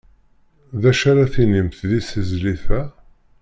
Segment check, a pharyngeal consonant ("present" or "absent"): absent